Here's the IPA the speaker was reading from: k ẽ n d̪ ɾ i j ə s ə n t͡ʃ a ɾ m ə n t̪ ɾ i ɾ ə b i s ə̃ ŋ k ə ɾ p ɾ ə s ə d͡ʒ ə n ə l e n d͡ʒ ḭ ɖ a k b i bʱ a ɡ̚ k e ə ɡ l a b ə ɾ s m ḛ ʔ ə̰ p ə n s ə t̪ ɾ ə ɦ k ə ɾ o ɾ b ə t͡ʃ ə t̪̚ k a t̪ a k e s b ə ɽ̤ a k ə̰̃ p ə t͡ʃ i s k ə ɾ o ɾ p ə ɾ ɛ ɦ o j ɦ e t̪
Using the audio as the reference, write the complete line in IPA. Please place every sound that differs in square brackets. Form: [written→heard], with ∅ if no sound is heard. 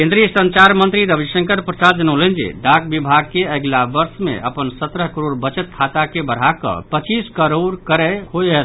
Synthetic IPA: k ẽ n d̪ ɾ i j ə s ə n t͡ʃ a ɾ m ə n t̪ ɾ i ɾ ə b i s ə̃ ŋ k ə ɾ p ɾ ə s [ə→a] d͡ʒ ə n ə l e n d͡ʒ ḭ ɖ a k b i bʱ a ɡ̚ k e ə ɡ l a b ə ɾ s m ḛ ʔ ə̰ p ə n s ə t̪ ɾ ə ɦ k ə ɾ o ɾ b ə t͡ʃ ə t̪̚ [k→kʰ] a t̪ a k e [s→∅] b ə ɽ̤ a k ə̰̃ p ə t͡ʃ i s k ə ɾ o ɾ [p→k] ə ɾ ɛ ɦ o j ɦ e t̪

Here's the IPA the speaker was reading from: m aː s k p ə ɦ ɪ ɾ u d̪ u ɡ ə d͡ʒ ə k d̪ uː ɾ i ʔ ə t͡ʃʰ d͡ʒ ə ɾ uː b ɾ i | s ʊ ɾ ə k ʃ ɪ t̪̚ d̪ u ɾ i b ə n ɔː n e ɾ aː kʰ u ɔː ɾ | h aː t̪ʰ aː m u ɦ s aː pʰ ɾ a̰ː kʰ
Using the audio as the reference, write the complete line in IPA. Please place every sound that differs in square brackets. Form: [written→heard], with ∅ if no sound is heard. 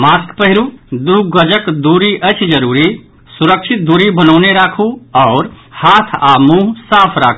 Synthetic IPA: m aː s k p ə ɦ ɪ ɾ u d̪ u ɡ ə d͡ʒ ə k d̪ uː ɾ i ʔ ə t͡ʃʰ d͡ʒ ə ɾ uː [b→∅] ɾ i | s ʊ ɾ ə k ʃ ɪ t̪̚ d̪ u ɾ i b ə n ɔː n e ɾ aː kʰ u ɔː ɾ | h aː t̪ʰ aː m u ɦ s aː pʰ ɾ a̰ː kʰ

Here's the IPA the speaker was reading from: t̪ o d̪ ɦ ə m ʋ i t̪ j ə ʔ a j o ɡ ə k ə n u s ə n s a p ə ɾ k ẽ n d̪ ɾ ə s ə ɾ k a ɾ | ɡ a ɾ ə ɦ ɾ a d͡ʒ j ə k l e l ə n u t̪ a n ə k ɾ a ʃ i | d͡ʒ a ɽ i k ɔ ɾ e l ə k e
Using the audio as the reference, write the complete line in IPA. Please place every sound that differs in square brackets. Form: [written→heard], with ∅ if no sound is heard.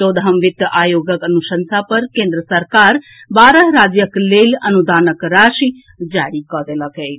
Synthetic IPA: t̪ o d̪ ɦ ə m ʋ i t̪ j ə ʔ a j o ɡ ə k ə n u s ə n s a p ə ɾ k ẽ n d̪ ɾ ə s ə ɾ k a ɾ | [ɡ→b] a ɾ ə ɦ ɾ a d͡ʒ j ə k l e l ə n u [t̪→d̪] a n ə k ɾ a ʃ i | d͡ʒ a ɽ i k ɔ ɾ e l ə k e

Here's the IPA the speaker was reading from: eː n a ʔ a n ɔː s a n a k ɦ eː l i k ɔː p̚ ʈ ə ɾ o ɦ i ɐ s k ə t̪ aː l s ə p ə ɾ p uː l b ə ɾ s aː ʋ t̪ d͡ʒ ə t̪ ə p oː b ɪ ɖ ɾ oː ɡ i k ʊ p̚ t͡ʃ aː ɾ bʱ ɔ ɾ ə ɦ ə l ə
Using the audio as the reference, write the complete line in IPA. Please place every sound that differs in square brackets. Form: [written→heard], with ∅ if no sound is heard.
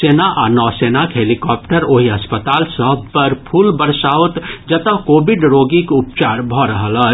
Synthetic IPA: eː n a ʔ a n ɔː s [a→e] n a k ɦ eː l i k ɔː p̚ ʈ ə ɾ o ɦ i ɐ s [k→p] ə t̪ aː l s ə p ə ɾ [p→pʰ] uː l b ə ɾ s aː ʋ t̪ d͡ʒ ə t̪ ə [p→k] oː b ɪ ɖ ɾ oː ɡ i k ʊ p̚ t͡ʃ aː ɾ bʱ ɔ ɾ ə ɦ ə l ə

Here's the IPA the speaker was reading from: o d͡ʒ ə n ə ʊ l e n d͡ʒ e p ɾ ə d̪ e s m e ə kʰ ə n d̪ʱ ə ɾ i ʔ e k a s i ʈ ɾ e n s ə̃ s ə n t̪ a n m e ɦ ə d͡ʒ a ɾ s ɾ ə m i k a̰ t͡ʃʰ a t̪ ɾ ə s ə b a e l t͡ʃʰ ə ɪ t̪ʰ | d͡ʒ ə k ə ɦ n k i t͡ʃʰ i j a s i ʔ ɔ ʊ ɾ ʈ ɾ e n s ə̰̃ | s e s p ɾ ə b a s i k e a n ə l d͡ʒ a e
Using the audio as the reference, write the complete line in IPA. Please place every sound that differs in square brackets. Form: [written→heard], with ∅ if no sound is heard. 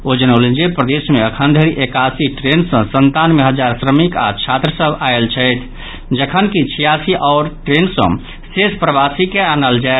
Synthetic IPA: o d͡ʒ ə n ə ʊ l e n d͡ʒ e p ɾ ə d̪ e s m e ə kʰ ə n d̪ʱ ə ɾ i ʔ e k a s i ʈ ɾ e n s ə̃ s ə n t̪ a n m e ɦ ə d͡ʒ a ɾ s ɾ ə m i k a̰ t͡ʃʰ a t̪ ɾ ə s ə b a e l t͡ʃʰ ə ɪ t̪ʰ | d͡ʒ ə [k→kʰ] ə [ɦ→∅] n k i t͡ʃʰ i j a s i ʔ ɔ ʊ ɾ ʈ ɾ e n s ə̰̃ | s e s p ɾ ə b a s i k e a n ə l d͡ʒ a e

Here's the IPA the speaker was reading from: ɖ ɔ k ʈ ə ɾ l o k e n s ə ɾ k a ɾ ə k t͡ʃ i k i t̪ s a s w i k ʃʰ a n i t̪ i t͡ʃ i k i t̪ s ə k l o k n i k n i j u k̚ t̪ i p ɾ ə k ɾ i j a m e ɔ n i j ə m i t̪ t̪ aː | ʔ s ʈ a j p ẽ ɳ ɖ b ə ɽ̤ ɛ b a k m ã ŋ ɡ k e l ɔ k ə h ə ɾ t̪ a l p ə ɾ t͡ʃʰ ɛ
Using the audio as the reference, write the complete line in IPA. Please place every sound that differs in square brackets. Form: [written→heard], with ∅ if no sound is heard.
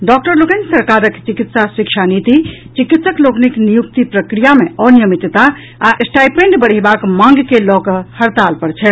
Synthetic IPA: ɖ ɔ k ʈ ə ɾ l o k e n s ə ɾ k a ɾ ə k t͡ʃ i k i t̪ s a s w i k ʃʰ a n i t̪ i t͡ʃ i k i t̪ s ə k l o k n i k n i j u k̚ t̪ i p ɾ ə k ɾ i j a m e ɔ n i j ə m i t̪ t̪ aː | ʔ s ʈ a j p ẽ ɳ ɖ b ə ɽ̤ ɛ b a k m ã ŋ ɡ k e l ɔ k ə h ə ɾ t̪ a l p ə ɾ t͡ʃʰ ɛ

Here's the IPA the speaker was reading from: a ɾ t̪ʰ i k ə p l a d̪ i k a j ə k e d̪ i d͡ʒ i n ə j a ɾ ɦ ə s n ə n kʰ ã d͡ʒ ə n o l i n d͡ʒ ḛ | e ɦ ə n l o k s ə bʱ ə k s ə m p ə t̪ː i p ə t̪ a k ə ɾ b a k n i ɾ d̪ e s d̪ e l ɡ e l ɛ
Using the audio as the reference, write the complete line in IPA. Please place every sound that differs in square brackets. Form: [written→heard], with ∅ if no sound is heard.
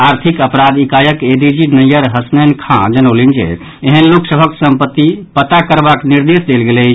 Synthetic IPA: a ɾ t̪ʰ i k ə p [l→ɾ] a d̪ i k a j ə k e d̪ i d͡ʒ i n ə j [a→ə] ɾ ɦ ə s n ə n kʰ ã d͡ʒ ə n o l i n d͡ʒ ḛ | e ɦ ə n l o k s ə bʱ ə k s ə m p ə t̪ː i p ə t̪ a k ə ɾ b a k n i ɾ d̪ e s d̪ e l ɡ e l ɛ

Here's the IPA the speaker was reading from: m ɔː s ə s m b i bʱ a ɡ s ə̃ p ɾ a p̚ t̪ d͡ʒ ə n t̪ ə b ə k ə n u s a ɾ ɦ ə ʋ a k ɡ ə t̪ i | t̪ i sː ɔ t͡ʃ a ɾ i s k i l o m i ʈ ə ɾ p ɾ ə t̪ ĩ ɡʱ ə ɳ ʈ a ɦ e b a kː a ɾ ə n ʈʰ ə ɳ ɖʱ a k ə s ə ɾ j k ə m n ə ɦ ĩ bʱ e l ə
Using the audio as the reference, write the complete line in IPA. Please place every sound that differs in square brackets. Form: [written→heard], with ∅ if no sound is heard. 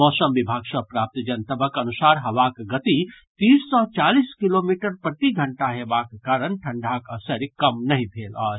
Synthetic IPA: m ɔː s ə [s→∅] m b i bʱ a ɡ s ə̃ p ɾ a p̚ t̪ d͡ʒ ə n t̪ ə b ə k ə n u s a ɾ ɦ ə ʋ a k ɡ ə t̪ i | t̪ i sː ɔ t͡ʃ a [ɾ→l] i s k i l o m i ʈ ə ɾ p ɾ ə t̪ [ĩ→i] ɡʱ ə ɳ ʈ a ɦ e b a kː a ɾ ə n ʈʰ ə ɳ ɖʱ a k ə s ə ɾ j k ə m n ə ɦ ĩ bʱ e l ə

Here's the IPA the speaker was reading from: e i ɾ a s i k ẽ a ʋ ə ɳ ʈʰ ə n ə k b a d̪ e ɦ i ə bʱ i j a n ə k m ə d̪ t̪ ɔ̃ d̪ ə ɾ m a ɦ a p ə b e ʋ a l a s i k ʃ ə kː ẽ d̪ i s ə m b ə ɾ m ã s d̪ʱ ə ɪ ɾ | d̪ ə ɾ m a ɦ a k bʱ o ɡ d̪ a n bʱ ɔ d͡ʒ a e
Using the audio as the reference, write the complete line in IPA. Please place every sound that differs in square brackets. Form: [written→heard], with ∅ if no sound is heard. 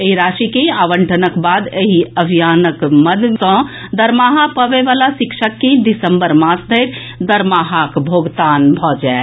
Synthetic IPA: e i ɾ a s i k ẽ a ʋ ə ɳ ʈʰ ə n ə k b a d̪ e ɦ i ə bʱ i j a n ə k m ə d̪ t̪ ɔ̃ d̪ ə ɾ m a ɦ a p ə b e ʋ a l a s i k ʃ ə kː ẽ d̪ i s ə m b ə ɾ m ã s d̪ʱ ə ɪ ɾ | d̪ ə ɾ m a ɦ a k bʱ o ɡ [d̪→t̪] a n bʱ ɔ d͡ʒ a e

